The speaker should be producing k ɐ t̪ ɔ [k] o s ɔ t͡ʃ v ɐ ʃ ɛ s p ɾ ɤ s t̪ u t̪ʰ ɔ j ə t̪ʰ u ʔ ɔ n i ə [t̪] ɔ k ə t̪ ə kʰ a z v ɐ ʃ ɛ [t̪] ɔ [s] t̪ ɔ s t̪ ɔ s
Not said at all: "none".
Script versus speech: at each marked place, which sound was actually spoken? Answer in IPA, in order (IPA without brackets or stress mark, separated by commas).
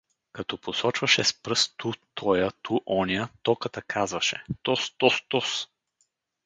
p, t̪, t̪, s